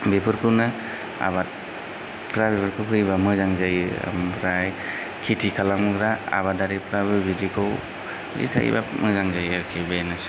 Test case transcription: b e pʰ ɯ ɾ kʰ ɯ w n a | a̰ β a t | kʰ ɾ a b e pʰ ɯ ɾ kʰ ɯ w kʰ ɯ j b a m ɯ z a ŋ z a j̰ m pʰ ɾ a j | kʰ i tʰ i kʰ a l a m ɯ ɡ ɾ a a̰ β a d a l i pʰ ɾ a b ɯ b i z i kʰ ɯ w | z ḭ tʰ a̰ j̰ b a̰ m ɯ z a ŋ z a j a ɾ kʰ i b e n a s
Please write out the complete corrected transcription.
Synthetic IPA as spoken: b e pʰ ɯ ɾ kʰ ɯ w n a | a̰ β a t | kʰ ɾ a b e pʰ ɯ ɾ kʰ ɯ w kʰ ɯ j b a m ɯ z a ŋ z a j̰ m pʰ ɾ a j | kʰ i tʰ i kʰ a l a m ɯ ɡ ɾ a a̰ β a d a ɾ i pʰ ɾ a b ɯ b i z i kʰ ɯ w | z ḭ tʰ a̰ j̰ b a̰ m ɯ z a ŋ z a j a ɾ kʰ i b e n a s